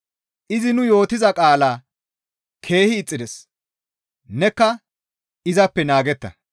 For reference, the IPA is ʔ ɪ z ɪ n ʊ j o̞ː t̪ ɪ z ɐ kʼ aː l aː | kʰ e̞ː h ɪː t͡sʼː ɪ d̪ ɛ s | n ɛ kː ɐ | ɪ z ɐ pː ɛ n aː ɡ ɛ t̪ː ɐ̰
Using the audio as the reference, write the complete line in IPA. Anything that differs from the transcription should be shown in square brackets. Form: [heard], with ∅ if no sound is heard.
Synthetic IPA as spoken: ʔ ɪ z ɪ n ʊ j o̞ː t̪ ɪ z ɐ kʼ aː l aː | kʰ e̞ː h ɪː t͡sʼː ɪ d̪ ɛ s | n ɛ kː ɐ | ɪ z ɐ pː ɛ n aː ɡ ɛ t̪ː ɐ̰